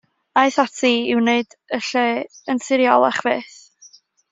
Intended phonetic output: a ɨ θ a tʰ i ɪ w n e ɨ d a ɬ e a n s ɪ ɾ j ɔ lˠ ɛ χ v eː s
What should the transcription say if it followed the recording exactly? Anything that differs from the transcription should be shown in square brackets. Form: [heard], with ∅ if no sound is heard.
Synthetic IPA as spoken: a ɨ θ a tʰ i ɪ w n e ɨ d [ə] ɬ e [ə] n s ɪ ɾ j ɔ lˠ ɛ χ v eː [θ]